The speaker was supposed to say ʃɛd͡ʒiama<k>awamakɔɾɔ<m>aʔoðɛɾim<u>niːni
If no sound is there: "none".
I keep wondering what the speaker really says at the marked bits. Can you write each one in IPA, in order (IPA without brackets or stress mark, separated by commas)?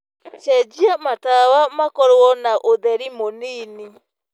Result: t, n, o